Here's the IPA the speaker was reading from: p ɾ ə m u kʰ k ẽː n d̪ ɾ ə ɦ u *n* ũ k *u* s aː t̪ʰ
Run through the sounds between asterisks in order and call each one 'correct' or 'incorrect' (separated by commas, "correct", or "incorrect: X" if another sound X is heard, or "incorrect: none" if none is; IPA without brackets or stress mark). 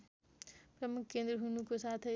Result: correct, incorrect: o